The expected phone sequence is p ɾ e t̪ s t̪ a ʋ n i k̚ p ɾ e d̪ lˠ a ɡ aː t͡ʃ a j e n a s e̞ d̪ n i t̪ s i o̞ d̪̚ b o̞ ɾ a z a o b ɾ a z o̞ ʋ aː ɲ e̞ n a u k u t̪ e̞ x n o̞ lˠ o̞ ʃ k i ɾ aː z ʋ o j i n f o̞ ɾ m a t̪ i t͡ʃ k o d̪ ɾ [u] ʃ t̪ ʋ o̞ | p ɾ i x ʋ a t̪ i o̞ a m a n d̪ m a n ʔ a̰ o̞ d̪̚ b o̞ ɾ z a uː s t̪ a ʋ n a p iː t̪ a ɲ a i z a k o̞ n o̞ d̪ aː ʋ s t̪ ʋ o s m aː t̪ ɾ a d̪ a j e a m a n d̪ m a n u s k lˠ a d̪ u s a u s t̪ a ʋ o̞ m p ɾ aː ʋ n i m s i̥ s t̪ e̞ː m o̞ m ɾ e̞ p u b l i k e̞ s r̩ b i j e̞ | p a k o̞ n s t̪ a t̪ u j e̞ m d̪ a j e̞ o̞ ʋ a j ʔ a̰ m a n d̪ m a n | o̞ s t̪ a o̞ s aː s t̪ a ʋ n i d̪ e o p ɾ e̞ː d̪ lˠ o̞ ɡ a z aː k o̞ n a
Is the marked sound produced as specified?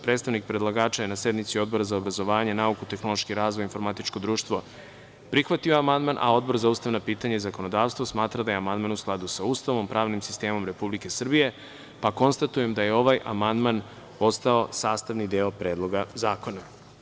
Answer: no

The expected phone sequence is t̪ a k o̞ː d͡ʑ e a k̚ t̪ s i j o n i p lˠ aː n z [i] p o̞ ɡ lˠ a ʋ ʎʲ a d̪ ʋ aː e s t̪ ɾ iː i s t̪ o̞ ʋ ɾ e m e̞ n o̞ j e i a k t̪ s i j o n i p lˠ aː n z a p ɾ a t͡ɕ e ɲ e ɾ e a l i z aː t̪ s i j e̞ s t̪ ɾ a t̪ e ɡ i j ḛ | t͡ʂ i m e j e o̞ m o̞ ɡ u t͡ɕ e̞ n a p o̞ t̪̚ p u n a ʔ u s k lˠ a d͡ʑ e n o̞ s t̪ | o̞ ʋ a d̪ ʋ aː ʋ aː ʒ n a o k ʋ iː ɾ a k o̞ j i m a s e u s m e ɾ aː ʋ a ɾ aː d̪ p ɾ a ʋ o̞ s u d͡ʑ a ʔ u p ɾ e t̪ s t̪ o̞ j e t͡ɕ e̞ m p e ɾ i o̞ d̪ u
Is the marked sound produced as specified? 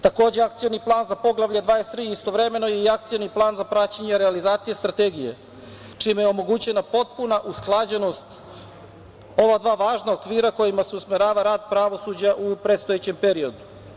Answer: no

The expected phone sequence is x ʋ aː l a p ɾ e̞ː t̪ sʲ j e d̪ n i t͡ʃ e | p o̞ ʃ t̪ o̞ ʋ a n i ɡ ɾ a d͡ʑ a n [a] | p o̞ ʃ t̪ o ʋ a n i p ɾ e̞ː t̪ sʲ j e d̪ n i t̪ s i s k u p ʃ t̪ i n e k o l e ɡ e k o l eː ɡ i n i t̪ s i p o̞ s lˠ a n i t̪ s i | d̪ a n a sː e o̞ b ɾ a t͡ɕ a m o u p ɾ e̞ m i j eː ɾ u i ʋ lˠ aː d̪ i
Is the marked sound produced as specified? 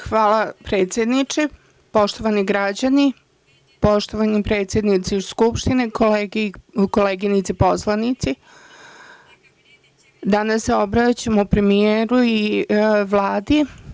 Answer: no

